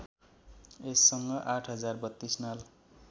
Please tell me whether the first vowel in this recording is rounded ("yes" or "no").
no